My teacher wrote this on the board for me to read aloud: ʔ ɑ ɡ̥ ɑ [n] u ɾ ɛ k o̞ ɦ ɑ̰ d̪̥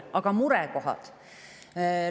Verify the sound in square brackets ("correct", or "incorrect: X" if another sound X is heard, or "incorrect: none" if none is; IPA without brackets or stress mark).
incorrect: m